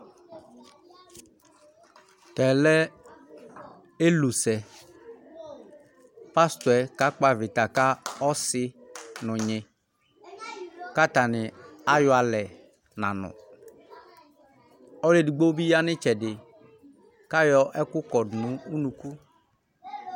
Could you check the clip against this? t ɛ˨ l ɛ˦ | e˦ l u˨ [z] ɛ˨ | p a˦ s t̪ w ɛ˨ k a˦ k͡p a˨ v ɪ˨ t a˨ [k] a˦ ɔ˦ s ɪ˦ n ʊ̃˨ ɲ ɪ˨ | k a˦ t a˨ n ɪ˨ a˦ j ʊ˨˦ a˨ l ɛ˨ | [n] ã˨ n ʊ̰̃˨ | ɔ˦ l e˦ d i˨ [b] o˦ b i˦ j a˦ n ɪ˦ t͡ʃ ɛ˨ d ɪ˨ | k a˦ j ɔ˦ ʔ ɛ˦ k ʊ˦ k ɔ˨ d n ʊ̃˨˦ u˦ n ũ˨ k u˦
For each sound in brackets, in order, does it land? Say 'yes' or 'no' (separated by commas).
no, yes, yes, no